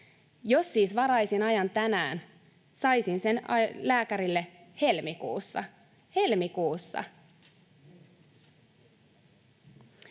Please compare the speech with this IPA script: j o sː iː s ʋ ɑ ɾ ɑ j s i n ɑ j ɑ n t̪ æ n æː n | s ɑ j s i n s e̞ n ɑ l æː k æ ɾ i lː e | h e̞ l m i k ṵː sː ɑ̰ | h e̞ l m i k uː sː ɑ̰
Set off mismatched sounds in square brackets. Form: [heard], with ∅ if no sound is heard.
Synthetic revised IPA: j o sː iː s ʋ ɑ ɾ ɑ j s i n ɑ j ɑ n t̪ æ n æː n | s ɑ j s i n s e̞ n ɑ l æː k æ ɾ i lː e | h e̞ l m i k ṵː sː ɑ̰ | h e̞ l m i k uː sː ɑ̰